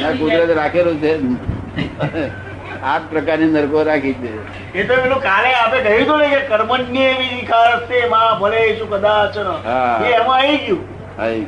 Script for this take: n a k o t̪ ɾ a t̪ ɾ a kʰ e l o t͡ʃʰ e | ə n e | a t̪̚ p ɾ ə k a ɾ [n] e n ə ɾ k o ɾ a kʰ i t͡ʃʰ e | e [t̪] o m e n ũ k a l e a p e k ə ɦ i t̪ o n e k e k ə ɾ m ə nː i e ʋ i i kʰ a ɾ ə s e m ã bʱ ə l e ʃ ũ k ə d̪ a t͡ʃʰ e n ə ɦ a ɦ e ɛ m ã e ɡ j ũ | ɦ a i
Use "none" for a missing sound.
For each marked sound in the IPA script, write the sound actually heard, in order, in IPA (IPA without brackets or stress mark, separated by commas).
n, t̪